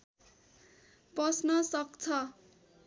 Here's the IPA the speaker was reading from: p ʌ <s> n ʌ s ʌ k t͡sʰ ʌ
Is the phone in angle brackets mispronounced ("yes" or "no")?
no